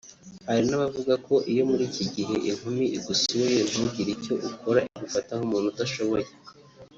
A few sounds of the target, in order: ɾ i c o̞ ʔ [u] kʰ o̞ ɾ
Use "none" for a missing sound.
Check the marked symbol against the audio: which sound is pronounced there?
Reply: u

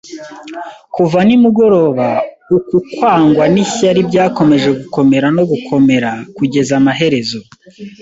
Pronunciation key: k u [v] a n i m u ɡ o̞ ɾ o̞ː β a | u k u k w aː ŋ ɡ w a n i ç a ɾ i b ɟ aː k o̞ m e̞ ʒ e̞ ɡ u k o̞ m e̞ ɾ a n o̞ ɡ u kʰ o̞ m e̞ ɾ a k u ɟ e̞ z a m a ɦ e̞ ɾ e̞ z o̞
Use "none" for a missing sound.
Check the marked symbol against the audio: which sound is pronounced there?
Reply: v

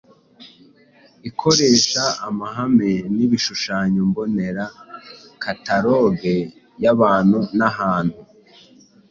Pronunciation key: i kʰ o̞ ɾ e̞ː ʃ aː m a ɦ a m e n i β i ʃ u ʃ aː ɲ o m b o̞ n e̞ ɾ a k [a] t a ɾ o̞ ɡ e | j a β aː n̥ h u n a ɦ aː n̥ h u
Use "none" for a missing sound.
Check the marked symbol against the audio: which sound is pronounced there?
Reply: a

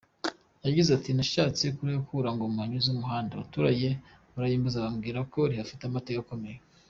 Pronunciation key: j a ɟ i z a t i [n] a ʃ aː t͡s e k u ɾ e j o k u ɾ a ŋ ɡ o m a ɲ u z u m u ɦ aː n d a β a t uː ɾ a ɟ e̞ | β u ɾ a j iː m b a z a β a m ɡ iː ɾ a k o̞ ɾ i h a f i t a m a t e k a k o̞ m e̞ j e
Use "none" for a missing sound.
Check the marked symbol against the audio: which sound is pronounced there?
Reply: n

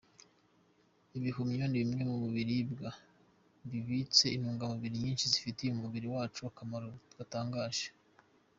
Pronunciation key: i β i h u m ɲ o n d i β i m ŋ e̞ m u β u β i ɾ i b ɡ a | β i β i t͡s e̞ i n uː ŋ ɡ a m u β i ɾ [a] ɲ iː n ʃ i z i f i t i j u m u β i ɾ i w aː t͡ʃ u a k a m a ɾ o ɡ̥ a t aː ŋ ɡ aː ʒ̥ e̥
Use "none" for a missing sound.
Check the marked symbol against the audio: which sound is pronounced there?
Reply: i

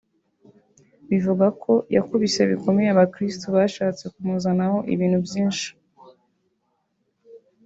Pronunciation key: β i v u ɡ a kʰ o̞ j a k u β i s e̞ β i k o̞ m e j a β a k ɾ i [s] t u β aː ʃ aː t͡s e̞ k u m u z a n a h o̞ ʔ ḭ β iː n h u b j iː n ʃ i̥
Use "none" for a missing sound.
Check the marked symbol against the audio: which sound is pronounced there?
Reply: s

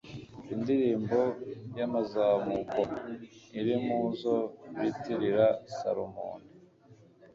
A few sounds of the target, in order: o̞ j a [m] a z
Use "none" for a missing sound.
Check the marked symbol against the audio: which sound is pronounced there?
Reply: m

